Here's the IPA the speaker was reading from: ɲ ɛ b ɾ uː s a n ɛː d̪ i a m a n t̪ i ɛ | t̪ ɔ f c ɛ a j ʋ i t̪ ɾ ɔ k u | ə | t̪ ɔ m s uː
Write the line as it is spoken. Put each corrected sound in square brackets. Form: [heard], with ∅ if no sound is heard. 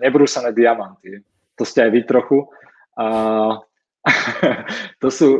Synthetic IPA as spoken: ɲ ɛ b ɾ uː s a n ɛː d̪ i a m a n t̪ i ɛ | t̪ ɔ [s] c ɛ a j ʋ i t̪ ɾ ɔ [x] u | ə | t̪ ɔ [∅] s uː